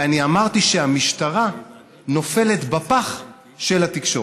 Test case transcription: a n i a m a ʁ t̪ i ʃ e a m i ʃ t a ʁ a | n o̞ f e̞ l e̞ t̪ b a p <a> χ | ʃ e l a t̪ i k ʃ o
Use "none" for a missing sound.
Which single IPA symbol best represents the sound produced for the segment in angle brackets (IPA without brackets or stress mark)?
a